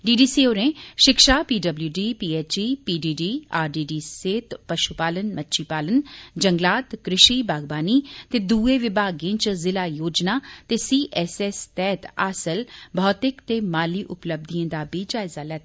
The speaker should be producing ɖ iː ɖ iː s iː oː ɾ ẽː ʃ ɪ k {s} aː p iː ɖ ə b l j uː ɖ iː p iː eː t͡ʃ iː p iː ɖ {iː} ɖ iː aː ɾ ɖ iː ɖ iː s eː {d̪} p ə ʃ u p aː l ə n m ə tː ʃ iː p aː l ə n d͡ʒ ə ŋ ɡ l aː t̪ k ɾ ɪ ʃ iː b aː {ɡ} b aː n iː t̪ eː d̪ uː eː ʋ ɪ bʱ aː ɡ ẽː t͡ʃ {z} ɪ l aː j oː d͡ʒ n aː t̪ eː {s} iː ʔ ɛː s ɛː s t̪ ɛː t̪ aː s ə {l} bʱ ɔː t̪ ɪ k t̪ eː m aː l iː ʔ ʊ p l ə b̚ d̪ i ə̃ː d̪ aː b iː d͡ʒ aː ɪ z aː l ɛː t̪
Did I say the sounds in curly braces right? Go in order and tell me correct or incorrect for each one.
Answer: incorrect: ʃ, correct, incorrect: t̪, correct, correct, correct, correct

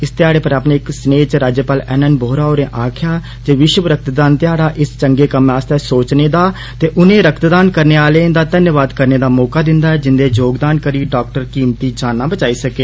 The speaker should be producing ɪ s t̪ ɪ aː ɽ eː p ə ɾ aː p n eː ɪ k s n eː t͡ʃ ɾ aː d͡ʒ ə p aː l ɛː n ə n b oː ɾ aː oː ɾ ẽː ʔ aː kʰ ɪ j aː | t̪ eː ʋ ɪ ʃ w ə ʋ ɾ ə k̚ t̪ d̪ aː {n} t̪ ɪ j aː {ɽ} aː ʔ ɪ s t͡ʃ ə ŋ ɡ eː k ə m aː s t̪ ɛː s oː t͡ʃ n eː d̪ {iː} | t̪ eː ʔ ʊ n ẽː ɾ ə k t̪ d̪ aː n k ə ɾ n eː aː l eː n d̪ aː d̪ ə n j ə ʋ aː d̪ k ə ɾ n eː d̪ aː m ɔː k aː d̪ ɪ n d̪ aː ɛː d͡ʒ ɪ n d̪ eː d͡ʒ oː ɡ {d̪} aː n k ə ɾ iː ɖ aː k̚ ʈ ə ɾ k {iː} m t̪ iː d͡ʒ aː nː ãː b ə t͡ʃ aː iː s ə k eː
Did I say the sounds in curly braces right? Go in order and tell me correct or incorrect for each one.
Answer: correct, correct, incorrect: aː, correct, correct

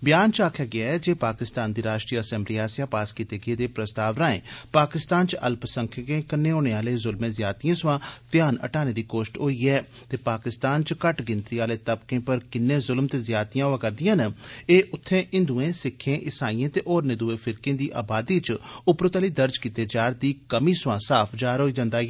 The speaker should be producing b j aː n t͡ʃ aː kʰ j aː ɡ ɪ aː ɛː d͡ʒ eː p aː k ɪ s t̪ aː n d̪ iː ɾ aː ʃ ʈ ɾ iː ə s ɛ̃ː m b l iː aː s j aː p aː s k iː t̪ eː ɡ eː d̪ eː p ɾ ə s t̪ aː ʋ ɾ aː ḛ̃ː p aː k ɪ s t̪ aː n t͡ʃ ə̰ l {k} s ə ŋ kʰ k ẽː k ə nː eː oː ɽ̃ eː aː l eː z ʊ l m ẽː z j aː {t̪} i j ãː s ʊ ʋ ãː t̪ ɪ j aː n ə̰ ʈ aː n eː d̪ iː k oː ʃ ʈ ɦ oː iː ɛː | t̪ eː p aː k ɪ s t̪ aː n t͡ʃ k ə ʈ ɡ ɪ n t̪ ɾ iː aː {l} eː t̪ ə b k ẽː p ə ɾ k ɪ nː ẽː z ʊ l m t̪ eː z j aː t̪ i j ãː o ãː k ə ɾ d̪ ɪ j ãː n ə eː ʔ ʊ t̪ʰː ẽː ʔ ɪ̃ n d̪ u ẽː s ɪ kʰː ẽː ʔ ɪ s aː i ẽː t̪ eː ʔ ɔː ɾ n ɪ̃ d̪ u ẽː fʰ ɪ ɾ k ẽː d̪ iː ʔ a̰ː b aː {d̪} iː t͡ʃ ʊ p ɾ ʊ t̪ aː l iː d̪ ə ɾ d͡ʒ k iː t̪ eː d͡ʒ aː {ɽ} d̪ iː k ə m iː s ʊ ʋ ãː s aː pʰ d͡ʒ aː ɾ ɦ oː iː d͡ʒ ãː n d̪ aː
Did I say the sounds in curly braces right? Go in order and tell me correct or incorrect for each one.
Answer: incorrect: p, correct, correct, correct, incorrect: ɾ

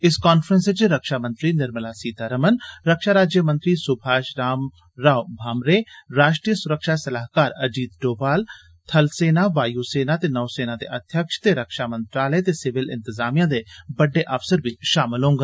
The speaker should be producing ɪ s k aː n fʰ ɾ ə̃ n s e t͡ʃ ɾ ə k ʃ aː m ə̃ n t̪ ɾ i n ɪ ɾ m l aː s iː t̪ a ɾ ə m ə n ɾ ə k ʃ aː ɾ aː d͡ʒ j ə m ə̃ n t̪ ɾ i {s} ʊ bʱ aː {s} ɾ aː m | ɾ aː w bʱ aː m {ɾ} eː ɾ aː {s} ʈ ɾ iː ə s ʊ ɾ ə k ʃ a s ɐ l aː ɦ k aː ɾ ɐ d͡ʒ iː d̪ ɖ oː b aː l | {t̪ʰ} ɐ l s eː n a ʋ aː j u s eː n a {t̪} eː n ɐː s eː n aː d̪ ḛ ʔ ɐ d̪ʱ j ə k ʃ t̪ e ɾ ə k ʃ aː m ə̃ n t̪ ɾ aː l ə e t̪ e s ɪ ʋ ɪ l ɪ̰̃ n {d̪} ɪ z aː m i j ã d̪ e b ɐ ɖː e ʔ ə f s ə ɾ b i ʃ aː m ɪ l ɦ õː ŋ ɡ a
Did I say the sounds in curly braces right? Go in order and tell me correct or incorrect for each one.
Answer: correct, incorrect: ʃ, correct, incorrect: ʃ, correct, correct, incorrect: t̪

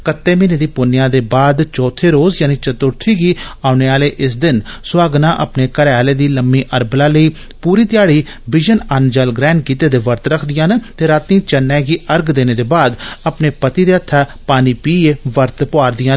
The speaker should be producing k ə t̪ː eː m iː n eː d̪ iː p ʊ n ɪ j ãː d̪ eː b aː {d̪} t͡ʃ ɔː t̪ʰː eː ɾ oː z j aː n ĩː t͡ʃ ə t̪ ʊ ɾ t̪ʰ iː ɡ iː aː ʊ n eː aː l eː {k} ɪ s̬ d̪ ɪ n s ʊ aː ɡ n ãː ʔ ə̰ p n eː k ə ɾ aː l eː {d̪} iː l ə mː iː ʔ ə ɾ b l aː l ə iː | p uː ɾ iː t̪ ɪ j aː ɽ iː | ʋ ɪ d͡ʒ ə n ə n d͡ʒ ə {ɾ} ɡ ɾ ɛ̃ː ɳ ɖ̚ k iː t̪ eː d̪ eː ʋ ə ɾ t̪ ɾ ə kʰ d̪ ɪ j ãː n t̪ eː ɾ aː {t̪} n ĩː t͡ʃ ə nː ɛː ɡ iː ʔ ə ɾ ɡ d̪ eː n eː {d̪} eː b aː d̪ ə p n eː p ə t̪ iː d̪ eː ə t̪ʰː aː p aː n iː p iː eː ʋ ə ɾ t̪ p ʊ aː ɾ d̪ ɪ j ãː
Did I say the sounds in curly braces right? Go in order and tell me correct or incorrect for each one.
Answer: correct, incorrect: ʔ, correct, incorrect: l, correct, correct

